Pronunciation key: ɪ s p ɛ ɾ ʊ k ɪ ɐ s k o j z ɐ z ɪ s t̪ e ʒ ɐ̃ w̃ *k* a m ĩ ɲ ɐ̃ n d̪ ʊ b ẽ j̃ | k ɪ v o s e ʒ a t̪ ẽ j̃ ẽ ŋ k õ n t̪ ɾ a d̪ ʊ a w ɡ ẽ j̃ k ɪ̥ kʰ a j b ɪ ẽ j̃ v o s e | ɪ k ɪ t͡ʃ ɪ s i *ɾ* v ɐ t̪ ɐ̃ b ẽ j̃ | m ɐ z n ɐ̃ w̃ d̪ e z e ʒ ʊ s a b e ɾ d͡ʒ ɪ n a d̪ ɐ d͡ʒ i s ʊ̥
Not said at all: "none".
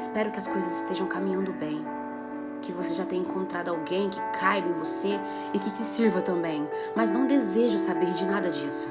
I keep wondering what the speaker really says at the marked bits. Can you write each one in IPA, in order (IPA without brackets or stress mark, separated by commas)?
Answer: k, ɾ